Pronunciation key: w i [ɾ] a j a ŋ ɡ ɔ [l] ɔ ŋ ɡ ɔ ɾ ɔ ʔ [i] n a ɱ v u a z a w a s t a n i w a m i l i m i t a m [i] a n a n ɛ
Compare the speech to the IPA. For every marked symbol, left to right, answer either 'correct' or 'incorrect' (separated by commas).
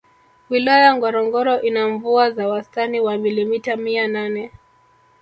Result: incorrect, incorrect, correct, correct